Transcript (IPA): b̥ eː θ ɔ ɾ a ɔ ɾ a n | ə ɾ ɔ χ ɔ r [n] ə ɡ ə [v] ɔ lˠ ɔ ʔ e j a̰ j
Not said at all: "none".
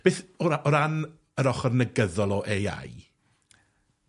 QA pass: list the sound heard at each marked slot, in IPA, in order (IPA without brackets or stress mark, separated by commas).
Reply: n, ð